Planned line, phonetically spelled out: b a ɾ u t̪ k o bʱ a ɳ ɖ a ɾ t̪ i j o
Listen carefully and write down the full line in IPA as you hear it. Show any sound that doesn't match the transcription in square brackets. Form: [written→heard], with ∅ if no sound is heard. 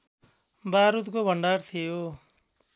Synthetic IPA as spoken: b a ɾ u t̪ k o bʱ [a→ʌ] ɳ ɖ a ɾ [t̪→t̪ʰ] i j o